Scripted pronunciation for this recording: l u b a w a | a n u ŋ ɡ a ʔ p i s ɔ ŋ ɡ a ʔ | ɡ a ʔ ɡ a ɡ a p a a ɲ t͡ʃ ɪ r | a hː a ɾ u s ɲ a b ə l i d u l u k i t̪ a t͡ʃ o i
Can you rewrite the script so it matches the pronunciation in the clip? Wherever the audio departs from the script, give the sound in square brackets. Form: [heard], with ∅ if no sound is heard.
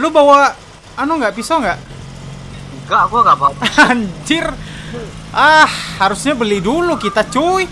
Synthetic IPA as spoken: l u b a w a | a n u ŋ ɡ a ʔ p i s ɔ ŋ ɡ a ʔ | ɡ a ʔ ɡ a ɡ a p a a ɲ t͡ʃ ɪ r | a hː a ɾ u s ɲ a b ə l i d u l u k i t̪ a t͡ʃ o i

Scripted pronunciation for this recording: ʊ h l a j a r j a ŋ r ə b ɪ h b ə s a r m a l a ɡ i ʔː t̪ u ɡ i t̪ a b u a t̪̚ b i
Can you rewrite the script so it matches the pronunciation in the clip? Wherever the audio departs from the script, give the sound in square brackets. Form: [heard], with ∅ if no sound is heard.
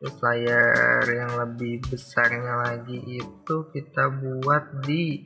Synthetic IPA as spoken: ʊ [s] l a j a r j a ŋ [l] ə b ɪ h b ə s a r [ɲ] a l a ɡ i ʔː t̪ u [k] i t̪ a b u a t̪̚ [d] i

